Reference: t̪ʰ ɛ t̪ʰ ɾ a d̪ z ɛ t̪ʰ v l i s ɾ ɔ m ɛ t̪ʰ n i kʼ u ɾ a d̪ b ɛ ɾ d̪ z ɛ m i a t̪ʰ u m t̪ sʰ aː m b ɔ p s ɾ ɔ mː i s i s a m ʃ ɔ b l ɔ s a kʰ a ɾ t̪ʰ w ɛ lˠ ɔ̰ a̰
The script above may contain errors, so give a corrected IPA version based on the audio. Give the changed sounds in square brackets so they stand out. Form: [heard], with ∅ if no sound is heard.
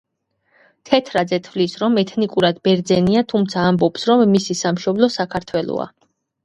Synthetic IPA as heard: t̪ʰ ɛ t̪ʰ ɾ a d̪ z ɛ t̪ʰ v l i s ɾ ɔ m ɛ t̪ʰ n i kʼ u ɾ a d̪ b ɛ ɾ d̪ z ɛ [n] i a t̪ʰ u m t̪ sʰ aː m b ɔ p s ɾ ɔ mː i s i s a m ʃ ɔ b l ɔ s a kʰ a ɾ t̪ʰ w ɛ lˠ ɔ̰ a̰